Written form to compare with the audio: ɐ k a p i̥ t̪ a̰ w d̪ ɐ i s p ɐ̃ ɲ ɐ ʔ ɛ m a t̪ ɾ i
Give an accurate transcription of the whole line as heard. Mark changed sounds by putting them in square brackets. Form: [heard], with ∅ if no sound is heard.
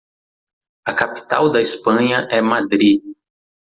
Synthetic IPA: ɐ k a p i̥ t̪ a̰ w d̪ ɐ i s p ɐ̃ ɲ ɐ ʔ ɛ m a [d̪] ɾ i